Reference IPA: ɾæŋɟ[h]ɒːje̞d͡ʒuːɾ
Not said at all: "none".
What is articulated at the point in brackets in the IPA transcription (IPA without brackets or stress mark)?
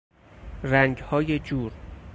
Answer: h